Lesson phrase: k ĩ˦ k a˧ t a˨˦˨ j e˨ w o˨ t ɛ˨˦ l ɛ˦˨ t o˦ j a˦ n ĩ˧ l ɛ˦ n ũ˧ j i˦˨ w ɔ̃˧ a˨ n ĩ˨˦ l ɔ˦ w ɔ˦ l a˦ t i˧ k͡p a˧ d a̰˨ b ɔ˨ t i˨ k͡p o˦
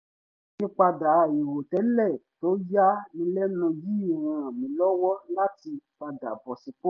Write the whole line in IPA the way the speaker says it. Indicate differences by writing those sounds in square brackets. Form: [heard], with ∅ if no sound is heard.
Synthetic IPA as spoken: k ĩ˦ [k͡p] a˧ [d] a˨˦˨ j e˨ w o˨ t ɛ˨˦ l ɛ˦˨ t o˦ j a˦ n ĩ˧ l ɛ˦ n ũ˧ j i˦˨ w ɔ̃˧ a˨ [m] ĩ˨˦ l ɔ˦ w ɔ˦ l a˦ t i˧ k͡p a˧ d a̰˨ b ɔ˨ [s] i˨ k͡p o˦

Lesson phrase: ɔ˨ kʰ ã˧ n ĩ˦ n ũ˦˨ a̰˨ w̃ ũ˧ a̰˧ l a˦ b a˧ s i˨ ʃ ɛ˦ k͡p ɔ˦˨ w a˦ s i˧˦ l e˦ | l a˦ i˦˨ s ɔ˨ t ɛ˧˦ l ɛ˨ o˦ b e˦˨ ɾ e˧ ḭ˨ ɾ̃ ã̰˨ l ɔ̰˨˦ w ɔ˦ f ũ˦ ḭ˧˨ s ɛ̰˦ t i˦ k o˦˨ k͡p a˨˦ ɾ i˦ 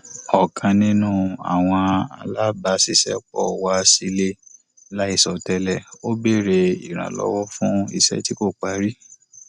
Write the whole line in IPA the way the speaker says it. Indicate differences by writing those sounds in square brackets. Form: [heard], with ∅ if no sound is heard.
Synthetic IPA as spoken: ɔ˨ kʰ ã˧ n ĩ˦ n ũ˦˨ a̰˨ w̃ [ɔ̃˧] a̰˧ l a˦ b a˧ s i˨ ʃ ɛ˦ k͡p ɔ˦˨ w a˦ s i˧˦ l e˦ | l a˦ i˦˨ s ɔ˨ t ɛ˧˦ l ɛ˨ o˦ b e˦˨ ɾ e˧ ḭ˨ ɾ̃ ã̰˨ l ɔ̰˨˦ w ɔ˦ f ũ˦ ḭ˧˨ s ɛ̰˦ t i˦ k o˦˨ k͡p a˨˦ ɾ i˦

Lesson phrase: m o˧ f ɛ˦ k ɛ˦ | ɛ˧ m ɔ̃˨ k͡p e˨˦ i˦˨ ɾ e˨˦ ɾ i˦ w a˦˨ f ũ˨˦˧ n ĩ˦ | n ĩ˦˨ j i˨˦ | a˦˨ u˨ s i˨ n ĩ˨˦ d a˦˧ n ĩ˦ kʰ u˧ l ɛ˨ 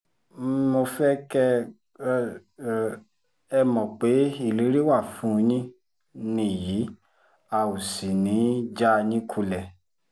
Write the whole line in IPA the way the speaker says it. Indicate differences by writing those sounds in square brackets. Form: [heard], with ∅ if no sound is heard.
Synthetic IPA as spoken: m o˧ f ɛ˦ k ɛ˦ | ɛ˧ m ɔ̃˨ k͡p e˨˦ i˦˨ [l] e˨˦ ɾ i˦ w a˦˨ f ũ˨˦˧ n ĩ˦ | n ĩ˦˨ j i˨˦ | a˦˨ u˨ s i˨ n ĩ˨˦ [d͡ʒ] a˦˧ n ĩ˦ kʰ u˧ l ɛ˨

